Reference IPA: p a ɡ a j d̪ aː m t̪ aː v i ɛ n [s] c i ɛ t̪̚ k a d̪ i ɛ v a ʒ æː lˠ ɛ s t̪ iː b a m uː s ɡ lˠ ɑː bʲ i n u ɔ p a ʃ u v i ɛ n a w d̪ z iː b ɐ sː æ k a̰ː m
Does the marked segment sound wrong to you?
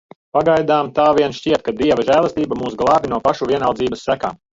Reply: yes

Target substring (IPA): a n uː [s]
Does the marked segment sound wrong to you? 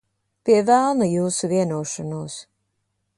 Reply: no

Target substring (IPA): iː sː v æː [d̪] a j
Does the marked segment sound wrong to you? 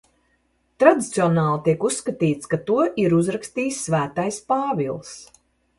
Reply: yes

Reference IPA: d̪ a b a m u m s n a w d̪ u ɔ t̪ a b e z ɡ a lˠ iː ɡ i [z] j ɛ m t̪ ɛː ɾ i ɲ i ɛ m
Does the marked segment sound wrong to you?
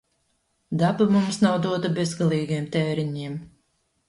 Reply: yes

